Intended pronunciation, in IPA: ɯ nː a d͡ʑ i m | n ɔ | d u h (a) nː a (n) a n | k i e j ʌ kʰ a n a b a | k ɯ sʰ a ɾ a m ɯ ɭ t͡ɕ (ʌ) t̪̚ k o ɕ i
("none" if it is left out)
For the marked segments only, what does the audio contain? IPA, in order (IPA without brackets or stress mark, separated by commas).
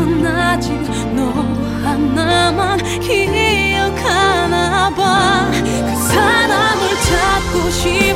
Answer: a, m, a